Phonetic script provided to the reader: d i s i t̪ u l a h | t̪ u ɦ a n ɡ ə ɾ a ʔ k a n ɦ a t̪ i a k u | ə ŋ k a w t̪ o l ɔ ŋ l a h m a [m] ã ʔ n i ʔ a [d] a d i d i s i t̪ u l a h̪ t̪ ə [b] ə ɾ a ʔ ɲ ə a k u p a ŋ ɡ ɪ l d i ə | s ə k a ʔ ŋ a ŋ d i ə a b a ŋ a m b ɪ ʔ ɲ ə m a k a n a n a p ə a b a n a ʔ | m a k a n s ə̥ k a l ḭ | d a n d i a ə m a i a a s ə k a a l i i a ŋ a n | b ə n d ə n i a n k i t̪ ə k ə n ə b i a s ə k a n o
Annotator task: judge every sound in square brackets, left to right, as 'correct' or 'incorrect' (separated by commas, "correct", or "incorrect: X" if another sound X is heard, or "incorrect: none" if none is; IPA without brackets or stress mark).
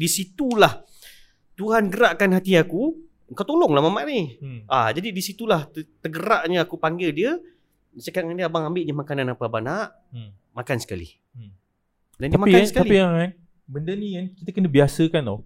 correct, incorrect: d͡ʒ, incorrect: ɡ